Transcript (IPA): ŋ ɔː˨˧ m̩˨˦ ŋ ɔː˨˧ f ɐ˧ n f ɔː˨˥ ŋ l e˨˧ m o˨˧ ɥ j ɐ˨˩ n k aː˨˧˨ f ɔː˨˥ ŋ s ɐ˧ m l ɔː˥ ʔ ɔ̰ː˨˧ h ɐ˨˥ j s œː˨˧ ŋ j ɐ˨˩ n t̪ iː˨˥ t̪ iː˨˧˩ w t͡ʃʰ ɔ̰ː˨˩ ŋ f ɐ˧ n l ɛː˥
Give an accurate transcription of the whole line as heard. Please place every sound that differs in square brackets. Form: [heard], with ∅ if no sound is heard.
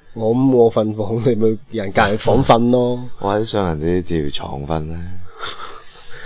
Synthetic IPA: ŋ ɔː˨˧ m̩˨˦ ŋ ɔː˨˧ f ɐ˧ n f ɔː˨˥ ŋ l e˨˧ m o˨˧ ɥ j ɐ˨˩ n k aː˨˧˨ f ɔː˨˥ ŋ [f] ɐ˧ [n] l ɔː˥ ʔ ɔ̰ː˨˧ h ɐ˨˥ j s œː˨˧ ŋ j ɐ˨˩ n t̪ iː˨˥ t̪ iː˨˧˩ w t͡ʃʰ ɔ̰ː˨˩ ŋ f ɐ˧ n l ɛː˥